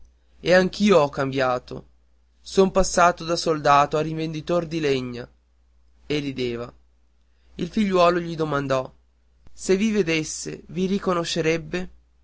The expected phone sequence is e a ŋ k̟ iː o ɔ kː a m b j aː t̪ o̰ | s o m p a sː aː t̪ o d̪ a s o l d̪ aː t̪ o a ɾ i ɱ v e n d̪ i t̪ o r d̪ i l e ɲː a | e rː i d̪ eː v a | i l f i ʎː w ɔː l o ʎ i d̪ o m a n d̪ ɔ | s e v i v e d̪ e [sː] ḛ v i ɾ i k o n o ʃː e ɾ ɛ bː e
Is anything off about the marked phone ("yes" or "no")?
no